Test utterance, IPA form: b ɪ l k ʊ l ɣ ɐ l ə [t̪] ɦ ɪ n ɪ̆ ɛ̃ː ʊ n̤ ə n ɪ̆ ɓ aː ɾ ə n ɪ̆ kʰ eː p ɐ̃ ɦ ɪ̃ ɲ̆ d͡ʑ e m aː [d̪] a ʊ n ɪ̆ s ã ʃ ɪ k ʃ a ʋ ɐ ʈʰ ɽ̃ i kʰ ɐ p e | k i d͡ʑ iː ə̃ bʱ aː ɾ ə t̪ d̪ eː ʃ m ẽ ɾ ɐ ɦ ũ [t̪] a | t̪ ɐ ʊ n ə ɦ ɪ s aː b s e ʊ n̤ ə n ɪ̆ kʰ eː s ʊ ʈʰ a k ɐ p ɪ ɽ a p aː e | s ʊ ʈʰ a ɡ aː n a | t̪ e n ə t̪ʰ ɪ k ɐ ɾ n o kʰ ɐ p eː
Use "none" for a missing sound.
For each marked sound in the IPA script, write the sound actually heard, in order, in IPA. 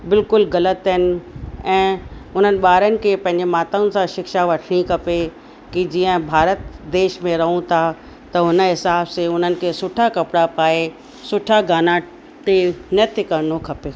t̪, t̪, t̪ʰ

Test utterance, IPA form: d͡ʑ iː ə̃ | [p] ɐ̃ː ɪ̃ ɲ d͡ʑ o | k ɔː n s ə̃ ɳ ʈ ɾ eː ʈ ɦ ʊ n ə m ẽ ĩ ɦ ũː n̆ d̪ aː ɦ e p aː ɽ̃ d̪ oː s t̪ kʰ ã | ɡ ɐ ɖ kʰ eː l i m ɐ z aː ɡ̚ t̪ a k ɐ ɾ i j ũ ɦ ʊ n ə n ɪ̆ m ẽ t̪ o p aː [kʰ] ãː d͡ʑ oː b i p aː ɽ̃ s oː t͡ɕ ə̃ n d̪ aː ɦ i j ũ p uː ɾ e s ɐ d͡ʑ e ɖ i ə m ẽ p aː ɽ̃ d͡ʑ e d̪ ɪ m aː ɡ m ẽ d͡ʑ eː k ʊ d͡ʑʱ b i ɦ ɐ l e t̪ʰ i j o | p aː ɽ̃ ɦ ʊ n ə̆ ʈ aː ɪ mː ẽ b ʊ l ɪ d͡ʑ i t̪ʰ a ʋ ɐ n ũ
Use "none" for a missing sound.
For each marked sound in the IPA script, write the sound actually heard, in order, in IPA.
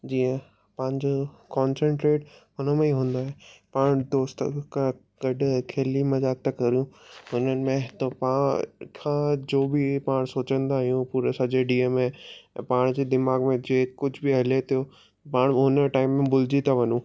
p, kʰ

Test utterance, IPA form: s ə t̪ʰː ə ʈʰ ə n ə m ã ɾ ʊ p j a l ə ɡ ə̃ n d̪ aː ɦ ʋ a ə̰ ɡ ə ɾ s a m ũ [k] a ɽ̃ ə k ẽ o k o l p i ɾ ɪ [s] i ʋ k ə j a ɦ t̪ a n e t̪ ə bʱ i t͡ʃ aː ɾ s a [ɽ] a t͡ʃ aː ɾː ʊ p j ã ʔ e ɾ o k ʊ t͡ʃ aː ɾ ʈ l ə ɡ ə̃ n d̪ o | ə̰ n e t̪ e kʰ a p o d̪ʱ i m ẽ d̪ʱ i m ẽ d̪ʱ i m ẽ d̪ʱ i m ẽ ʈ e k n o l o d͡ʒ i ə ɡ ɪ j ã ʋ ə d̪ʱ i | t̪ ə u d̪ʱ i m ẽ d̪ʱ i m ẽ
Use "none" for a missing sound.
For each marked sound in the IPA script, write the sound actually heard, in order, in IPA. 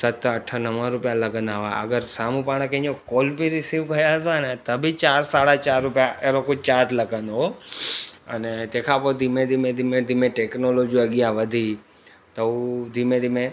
p, s, ɽ

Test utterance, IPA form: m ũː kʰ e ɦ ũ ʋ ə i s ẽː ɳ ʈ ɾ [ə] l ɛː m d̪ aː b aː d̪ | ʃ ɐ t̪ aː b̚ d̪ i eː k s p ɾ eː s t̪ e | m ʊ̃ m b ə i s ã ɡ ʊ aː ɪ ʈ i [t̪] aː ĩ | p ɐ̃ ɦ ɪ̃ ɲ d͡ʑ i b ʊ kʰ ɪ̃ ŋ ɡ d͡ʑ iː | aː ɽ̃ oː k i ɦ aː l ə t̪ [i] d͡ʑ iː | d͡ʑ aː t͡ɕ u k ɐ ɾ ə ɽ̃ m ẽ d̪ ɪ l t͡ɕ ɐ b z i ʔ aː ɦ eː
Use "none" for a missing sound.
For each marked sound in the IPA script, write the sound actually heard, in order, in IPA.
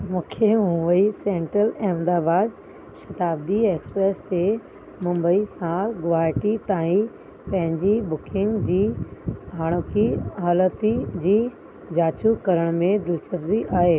ə, t̪, i

